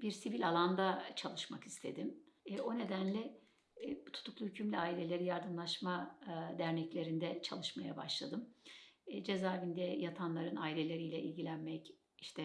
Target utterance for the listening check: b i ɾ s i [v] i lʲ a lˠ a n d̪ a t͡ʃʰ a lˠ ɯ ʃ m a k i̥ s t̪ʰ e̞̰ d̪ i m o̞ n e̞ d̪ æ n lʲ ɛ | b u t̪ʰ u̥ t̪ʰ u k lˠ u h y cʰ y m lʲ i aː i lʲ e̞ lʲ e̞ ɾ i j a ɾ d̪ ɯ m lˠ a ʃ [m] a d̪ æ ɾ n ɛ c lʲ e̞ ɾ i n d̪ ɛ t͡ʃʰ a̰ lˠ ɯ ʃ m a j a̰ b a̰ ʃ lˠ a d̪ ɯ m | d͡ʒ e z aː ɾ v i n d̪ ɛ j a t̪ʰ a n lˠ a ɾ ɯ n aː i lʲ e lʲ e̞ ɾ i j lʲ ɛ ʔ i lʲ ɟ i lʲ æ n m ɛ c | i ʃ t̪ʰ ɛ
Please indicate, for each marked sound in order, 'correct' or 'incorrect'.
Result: correct, correct

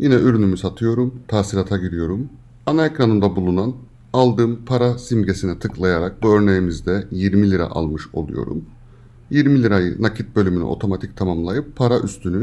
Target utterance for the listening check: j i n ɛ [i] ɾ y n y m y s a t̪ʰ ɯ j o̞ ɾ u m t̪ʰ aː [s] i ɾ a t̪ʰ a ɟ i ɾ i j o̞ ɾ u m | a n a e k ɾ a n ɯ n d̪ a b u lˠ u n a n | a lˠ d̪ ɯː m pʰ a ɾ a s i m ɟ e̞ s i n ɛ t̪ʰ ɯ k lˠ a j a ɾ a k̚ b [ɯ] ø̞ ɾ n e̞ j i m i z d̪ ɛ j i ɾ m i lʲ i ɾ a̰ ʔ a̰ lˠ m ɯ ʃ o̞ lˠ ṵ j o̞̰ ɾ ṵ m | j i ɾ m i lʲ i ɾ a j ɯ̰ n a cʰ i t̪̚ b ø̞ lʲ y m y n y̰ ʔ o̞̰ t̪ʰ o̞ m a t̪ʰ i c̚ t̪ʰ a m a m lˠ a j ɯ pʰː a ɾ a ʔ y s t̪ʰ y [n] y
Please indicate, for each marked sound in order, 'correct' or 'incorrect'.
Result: incorrect, correct, incorrect, correct

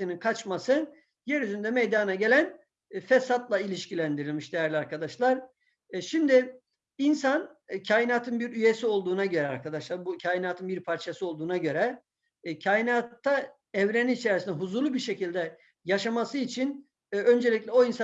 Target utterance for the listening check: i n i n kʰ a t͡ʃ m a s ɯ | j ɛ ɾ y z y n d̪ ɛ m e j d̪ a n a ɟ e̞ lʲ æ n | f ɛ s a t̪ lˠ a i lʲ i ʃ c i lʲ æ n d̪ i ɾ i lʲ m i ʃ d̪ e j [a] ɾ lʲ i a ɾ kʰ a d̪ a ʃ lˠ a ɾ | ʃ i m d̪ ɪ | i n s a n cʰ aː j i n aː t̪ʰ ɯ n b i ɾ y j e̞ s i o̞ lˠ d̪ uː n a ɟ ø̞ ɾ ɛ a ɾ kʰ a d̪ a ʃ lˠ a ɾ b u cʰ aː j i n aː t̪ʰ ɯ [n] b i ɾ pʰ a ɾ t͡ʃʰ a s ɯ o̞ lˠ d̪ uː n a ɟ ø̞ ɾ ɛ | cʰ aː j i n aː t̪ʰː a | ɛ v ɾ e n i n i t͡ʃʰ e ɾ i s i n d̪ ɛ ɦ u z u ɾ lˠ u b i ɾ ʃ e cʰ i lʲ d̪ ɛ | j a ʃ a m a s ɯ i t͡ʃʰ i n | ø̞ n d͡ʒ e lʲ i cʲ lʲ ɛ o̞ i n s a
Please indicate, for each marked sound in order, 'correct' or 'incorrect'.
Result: incorrect, correct

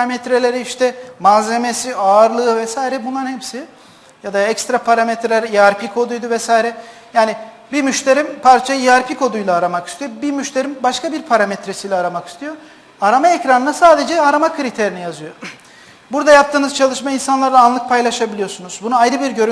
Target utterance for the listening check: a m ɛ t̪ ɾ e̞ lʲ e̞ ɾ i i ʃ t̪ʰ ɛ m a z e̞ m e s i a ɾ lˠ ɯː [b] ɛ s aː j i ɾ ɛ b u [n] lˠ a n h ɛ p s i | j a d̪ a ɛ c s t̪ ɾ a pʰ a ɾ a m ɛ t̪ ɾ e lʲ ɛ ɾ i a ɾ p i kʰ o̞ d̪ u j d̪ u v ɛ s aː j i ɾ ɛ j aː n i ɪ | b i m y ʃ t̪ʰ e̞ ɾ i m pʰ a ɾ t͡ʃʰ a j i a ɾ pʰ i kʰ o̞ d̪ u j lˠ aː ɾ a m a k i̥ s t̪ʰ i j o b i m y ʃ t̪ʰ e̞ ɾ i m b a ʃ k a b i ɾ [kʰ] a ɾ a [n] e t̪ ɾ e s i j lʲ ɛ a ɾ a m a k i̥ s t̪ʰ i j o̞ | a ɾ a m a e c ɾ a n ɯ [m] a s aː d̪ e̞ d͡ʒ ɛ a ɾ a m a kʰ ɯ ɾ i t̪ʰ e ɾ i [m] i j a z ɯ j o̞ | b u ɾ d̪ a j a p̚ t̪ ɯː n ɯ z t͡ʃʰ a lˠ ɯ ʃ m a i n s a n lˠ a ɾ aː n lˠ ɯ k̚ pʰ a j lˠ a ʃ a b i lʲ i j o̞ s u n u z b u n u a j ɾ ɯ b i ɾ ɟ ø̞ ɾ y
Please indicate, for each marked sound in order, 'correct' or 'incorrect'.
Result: incorrect, correct, incorrect, incorrect, incorrect, incorrect

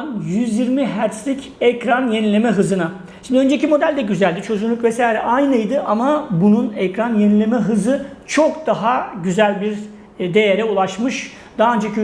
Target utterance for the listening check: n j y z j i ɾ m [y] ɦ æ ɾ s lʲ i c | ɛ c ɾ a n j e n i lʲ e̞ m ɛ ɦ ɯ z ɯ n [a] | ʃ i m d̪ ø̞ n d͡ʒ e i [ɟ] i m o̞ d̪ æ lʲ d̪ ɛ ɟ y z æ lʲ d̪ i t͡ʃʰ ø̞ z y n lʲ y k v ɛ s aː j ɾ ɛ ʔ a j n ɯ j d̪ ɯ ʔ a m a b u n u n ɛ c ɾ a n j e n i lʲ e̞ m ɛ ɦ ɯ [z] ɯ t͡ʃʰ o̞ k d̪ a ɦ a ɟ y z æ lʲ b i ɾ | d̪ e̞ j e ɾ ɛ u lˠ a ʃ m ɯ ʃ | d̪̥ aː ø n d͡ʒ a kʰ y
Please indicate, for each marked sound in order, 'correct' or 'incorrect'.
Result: incorrect, correct, incorrect, correct

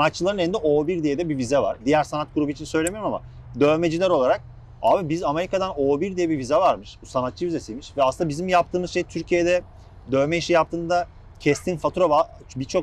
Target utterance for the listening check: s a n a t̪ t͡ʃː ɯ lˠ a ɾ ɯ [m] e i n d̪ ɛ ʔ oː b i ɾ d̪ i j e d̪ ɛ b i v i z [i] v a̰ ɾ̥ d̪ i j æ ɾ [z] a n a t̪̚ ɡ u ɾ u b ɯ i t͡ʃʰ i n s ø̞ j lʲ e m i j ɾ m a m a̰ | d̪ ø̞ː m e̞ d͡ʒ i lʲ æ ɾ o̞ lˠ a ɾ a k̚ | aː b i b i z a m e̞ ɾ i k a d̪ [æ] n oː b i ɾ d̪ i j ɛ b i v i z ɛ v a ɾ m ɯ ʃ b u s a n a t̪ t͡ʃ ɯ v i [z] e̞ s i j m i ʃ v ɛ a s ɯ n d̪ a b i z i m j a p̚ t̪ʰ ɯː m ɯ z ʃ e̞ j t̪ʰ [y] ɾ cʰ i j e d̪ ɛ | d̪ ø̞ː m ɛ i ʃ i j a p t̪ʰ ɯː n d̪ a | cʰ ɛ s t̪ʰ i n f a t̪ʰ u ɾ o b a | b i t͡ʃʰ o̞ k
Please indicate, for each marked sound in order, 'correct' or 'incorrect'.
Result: incorrect, incorrect, incorrect, incorrect, correct, correct

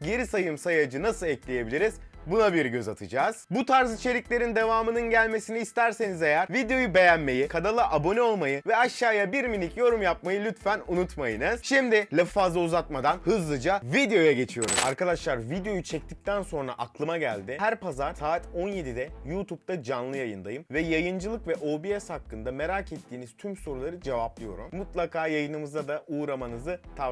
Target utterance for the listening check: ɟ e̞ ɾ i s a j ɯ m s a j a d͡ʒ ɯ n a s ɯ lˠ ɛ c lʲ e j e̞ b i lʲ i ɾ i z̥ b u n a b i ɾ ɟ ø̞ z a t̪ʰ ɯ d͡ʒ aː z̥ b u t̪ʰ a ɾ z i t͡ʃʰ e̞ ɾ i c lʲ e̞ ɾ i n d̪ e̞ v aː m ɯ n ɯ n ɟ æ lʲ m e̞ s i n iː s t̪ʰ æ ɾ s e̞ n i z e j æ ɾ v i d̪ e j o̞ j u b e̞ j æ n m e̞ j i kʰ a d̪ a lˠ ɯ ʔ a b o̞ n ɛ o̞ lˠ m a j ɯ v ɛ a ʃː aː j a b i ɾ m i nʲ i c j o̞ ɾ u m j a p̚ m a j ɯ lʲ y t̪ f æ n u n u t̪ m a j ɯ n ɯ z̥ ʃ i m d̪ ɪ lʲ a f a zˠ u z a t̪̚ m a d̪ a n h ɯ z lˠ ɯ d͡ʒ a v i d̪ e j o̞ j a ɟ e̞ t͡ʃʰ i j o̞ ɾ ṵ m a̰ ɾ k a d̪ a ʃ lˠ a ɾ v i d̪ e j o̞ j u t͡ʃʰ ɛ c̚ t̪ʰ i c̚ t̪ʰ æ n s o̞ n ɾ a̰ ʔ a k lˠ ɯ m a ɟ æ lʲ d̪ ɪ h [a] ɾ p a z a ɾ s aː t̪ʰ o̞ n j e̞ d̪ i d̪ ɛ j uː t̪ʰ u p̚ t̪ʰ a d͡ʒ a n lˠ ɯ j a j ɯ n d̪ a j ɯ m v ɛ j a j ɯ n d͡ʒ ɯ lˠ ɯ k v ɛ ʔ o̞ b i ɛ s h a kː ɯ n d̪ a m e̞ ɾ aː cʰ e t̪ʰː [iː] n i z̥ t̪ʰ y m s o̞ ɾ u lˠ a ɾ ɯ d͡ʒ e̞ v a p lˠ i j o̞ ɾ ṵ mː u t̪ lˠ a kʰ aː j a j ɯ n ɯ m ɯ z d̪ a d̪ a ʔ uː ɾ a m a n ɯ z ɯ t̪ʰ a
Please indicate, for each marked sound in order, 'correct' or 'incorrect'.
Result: incorrect, correct

